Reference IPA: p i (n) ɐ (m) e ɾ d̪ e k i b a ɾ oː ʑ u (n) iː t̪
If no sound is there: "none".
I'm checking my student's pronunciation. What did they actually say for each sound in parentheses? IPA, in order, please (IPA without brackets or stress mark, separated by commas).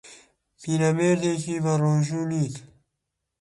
n, m, n